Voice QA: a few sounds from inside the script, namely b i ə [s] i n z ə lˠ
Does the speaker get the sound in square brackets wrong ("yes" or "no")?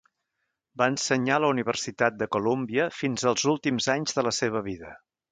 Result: yes